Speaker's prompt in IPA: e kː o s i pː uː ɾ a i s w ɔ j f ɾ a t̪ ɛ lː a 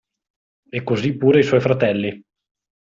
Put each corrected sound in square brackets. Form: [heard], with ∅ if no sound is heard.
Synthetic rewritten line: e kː o [z] i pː uː ɾ [e] i s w ɔ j f ɾ a t̪ ɛ lː [i]